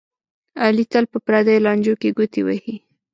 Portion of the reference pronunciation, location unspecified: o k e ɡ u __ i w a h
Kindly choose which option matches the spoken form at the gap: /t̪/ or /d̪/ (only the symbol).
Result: t̪